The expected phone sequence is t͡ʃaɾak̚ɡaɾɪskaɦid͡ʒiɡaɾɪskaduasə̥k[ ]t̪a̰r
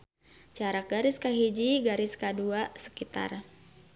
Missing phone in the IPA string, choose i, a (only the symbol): i